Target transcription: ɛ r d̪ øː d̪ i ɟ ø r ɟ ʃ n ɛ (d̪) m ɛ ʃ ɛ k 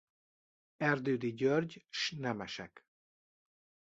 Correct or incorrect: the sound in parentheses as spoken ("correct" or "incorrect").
incorrect